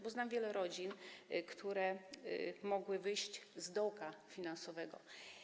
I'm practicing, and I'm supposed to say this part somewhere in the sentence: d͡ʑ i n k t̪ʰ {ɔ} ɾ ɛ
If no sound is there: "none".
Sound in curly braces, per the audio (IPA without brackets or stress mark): u